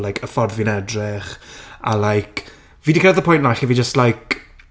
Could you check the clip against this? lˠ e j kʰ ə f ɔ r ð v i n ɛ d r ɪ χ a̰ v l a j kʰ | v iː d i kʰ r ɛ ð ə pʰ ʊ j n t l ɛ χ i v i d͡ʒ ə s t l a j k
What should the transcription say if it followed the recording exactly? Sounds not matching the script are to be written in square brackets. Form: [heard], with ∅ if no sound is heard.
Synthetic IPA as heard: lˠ [a] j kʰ ə f ɔ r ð v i n ɛ d r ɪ χ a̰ [∅] l a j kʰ | v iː d i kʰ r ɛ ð ə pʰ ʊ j n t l [a] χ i v i d͡ʒ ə s t l a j k